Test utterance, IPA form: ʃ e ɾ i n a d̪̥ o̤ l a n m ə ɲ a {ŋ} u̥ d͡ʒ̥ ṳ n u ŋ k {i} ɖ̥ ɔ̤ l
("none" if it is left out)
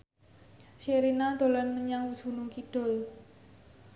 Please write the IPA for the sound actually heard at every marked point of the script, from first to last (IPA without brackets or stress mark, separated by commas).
ŋ, i